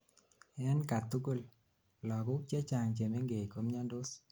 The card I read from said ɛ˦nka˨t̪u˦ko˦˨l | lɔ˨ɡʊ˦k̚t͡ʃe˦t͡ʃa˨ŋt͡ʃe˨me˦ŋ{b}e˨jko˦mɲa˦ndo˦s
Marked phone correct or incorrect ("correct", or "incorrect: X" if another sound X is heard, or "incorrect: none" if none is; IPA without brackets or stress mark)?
incorrect: ɡ